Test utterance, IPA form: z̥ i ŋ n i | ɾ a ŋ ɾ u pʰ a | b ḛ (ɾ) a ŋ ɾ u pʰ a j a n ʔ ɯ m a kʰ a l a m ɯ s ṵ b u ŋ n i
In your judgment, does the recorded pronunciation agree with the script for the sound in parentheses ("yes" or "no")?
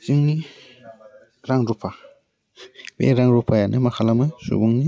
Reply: yes